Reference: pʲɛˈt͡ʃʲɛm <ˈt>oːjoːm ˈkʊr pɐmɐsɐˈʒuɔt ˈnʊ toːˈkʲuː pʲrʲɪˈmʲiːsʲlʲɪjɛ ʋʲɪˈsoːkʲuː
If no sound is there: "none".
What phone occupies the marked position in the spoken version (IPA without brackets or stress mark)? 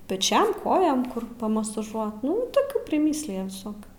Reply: k